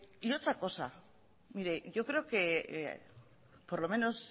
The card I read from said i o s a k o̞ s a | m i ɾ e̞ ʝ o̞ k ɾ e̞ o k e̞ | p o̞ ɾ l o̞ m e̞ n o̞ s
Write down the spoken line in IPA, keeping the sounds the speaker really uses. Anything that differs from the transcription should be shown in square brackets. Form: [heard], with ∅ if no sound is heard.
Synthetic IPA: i o [t͡s] a k o̞ s a | m i ɾ e̞ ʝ o̞ k ɾ e̞ o k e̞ | p o̞ ɾ l o̞ m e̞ n o̞ s